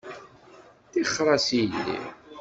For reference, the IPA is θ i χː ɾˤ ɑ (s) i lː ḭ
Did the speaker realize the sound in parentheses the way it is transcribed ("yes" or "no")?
yes